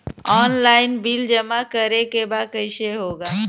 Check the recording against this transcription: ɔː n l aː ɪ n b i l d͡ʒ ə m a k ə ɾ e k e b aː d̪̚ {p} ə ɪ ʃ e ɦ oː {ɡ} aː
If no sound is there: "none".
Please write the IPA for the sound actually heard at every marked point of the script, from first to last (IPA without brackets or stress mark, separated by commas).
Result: k, ɡ